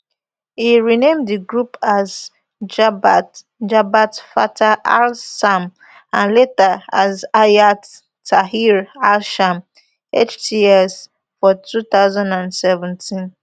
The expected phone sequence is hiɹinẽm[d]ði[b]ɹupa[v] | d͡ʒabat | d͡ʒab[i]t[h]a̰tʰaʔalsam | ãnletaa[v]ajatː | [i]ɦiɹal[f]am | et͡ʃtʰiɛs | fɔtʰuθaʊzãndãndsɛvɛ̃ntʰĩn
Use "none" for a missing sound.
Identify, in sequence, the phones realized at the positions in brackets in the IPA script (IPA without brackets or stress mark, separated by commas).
d, ɡ, z, a, f, z, a, ʃ